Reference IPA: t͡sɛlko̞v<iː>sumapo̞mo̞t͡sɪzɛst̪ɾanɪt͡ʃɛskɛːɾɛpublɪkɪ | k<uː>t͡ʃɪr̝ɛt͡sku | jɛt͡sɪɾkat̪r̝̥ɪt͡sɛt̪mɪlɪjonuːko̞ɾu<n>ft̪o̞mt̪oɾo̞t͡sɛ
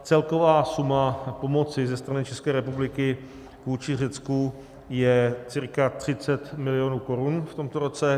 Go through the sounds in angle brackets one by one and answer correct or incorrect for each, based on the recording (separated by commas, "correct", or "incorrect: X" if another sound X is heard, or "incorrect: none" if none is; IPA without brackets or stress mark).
incorrect: aː, correct, correct